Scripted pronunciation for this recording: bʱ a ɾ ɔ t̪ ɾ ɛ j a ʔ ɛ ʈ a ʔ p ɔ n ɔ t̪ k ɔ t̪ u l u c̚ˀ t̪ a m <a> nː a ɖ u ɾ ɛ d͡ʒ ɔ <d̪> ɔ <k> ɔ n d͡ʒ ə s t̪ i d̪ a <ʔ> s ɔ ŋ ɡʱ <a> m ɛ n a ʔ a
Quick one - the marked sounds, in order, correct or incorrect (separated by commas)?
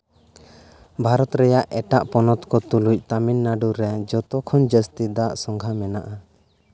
incorrect, incorrect, incorrect, correct, correct